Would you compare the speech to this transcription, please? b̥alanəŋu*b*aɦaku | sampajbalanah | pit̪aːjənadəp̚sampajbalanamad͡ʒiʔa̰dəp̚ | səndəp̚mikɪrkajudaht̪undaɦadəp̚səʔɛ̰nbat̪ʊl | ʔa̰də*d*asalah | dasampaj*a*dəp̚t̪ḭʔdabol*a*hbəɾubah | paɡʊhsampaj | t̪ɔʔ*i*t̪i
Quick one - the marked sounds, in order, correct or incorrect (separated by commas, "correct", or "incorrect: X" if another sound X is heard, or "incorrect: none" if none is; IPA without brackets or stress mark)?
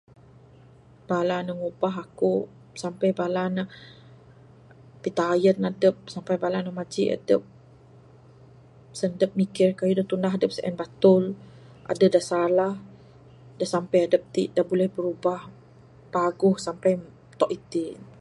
correct, correct, correct, incorrect: ɛ, correct